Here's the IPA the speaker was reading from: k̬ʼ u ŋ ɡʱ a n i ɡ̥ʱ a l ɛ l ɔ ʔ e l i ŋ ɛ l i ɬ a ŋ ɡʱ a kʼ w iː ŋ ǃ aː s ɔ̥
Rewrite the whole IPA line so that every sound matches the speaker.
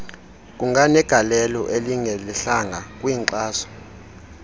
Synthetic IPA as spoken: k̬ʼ u ŋ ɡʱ a n ɛ ɡ̥ʱ a l ɛ l ɔ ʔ e l i ŋ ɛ l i ɬ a ŋ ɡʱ a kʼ w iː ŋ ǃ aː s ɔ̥